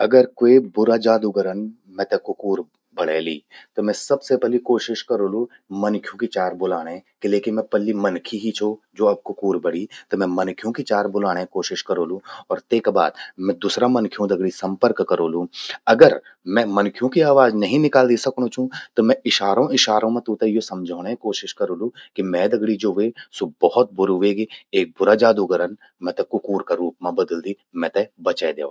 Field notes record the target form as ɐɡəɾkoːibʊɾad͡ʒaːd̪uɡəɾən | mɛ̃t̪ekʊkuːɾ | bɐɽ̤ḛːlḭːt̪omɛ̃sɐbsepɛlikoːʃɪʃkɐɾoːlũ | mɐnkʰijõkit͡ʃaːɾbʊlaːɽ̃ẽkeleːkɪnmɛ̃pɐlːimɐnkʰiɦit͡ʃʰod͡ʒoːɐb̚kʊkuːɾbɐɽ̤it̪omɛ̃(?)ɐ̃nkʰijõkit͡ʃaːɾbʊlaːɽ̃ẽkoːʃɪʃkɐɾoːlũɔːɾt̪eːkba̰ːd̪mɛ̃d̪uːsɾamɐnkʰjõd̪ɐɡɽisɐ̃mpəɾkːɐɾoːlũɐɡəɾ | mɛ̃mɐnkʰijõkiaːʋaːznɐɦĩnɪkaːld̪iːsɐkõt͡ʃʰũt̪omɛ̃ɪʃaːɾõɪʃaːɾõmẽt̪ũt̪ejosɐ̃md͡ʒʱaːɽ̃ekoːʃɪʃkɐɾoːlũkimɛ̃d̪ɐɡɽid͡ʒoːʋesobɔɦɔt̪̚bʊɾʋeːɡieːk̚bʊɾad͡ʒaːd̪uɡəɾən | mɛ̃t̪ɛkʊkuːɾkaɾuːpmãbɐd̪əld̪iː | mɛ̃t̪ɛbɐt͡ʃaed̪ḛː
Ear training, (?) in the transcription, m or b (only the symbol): m